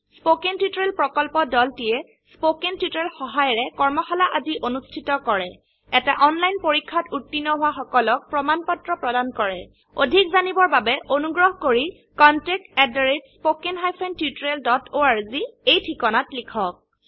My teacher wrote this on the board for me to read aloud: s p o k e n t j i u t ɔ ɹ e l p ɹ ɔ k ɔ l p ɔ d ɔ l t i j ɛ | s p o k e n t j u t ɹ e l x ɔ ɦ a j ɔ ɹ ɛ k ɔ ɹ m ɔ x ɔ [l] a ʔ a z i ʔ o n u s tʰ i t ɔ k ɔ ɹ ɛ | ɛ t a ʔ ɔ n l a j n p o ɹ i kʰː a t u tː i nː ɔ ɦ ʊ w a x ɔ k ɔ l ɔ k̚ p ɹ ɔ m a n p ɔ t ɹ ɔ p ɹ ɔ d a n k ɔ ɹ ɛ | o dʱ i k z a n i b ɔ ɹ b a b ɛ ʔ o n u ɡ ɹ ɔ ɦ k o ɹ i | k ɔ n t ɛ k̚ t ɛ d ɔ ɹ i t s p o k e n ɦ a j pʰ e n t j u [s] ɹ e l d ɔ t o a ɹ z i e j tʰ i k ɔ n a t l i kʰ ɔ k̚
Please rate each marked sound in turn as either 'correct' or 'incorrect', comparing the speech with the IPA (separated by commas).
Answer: correct, incorrect